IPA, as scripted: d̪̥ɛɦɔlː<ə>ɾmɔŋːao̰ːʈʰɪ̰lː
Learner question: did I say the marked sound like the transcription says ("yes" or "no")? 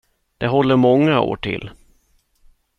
yes